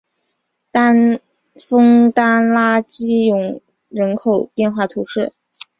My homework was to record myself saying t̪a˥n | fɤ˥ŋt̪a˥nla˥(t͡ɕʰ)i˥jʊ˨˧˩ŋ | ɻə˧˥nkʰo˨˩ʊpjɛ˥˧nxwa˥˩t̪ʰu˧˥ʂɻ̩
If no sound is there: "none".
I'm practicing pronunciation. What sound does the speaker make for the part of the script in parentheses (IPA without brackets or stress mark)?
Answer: t͡ɕ